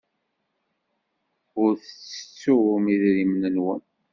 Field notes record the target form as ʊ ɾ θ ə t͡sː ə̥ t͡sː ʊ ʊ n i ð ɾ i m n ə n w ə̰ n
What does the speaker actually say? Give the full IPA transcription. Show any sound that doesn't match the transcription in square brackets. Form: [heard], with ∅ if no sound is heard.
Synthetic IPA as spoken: ʊ ɾ θ ə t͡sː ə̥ t͡sː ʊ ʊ [m] i ð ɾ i m n ə n w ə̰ n